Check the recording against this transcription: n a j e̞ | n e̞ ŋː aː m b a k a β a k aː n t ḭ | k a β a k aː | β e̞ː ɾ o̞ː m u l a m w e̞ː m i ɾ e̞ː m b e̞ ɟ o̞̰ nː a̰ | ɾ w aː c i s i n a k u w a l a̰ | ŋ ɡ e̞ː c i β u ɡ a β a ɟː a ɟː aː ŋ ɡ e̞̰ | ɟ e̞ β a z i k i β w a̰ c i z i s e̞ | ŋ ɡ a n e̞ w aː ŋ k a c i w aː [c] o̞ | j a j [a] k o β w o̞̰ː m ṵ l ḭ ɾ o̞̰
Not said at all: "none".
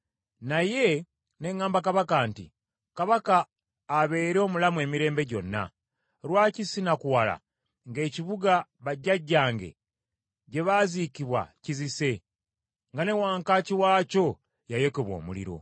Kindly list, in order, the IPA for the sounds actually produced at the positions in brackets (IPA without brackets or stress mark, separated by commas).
c, e